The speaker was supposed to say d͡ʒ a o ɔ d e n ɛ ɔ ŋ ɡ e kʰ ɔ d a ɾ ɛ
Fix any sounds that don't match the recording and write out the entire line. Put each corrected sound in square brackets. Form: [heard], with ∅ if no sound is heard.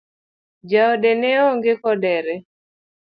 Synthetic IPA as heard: d͡ʒ a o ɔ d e n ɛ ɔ ŋ ɡ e [k] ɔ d [ɛ] ɾ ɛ

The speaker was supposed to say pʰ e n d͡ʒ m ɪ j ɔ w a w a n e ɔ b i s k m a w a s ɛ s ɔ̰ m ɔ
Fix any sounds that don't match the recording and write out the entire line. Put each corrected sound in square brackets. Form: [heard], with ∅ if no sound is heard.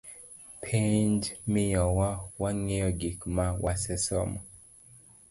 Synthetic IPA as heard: pʰ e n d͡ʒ m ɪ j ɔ w a w a [ŋ] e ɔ [ɡ] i [∅] k m a w a s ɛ s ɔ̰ m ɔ

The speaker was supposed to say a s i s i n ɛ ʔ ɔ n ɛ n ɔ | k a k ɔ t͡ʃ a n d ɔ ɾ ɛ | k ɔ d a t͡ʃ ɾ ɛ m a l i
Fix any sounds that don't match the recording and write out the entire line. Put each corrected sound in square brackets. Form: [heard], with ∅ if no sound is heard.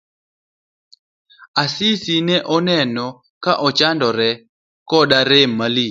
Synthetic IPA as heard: a s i s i n ɛ ʔ ɔ n ɛ n ɔ | k a [ʔ] ɔ t͡ʃ a n d ɔ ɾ ɛ | k ɔ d a [∅] ɾ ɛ m a l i

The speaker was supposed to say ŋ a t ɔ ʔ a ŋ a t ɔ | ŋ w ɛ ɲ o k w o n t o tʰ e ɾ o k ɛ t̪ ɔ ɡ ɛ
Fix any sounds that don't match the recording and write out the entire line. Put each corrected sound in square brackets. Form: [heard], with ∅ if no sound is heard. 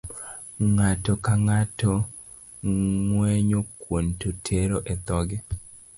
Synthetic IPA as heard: ŋ a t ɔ [k] a ŋ a t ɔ | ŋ w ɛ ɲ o k w o n t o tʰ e ɾ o [ʔ] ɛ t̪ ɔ ɡ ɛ

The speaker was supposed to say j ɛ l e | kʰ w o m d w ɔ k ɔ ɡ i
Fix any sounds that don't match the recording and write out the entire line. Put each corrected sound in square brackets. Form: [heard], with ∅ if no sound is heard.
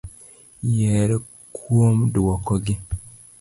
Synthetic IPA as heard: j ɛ [ɾ] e | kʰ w o m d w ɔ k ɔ ɡ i

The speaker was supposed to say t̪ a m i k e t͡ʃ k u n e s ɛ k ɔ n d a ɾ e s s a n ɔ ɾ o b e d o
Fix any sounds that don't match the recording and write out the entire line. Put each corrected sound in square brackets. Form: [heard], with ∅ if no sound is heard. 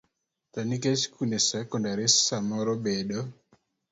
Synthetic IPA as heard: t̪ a [n] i k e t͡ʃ k u n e s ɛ k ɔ n d a ɾ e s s a [m] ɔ ɾ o b e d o

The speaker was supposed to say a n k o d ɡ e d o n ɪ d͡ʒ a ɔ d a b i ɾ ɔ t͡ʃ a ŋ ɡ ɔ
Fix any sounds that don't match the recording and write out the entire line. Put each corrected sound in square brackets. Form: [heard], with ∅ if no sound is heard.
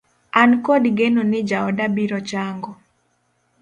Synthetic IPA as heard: a n k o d ɡ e [n] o n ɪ d͡ʒ a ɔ d a b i ɾ ɔ t͡ʃ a ŋ ɡ ɔ

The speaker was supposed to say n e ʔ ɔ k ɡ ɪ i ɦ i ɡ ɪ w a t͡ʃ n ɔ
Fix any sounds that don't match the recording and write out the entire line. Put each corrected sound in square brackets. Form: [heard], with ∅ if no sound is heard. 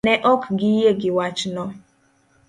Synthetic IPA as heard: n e ʔ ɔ k ɡ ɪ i ɦ [e] ɡ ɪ w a t͡ʃ n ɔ

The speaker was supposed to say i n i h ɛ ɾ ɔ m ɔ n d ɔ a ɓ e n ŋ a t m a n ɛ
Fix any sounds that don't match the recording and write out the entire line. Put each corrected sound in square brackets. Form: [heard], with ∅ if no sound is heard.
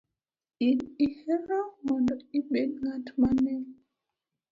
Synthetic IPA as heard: i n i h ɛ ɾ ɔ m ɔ n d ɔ [i] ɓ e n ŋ a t m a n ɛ

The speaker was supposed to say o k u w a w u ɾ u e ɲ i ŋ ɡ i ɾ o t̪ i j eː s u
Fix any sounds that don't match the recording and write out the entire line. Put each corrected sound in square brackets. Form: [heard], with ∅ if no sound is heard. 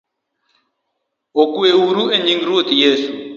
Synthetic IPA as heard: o k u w [e] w u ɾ u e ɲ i ŋ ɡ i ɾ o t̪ i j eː s u

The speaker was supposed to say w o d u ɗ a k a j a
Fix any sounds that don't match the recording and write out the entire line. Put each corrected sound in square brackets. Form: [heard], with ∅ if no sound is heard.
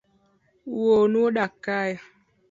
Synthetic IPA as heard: w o [n] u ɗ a k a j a

